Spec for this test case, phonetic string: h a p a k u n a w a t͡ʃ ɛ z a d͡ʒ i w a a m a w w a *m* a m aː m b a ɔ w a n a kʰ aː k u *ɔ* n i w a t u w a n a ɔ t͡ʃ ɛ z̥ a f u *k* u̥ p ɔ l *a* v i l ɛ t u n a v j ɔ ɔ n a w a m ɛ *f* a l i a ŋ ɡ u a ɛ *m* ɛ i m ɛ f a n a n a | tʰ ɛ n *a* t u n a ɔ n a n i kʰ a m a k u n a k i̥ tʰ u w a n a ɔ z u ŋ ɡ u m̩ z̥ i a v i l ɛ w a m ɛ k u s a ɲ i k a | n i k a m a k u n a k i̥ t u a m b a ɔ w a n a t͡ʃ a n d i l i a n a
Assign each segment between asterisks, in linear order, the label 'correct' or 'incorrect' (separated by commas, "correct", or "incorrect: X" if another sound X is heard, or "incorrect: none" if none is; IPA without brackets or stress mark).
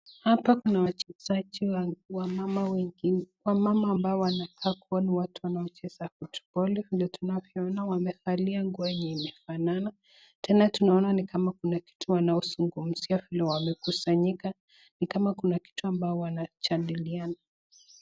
correct, correct, incorrect: t, incorrect: ɛ, correct, incorrect: ɲ, correct